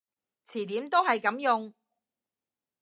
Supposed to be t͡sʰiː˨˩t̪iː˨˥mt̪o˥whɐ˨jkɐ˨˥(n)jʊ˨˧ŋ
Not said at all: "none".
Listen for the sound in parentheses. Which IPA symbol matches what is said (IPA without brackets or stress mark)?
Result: m